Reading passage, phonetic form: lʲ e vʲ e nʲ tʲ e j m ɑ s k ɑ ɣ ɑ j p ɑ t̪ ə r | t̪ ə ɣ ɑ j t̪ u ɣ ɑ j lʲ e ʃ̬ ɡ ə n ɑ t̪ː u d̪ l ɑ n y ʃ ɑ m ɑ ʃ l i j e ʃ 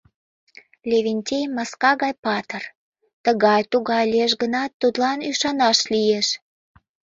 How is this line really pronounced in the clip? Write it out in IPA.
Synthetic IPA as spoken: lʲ e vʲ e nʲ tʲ e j m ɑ s k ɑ ɣ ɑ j p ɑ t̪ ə r | t̪ ə ɣ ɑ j t̪ u ɣ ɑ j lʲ e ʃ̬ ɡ ə n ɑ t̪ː u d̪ l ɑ n y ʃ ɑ n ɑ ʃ l i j e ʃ